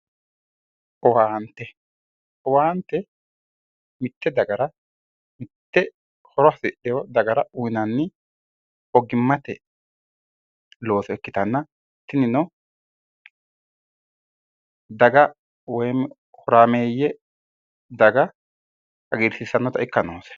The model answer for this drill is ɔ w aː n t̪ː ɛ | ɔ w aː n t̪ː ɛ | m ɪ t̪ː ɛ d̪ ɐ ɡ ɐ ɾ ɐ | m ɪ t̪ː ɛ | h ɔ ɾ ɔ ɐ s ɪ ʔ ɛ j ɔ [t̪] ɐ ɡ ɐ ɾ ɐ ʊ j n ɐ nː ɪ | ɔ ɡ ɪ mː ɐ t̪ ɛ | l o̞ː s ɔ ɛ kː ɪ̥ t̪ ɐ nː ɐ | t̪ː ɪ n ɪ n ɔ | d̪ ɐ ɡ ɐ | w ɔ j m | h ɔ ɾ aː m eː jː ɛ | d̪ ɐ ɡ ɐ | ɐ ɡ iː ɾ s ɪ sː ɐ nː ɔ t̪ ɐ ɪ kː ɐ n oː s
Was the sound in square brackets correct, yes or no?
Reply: no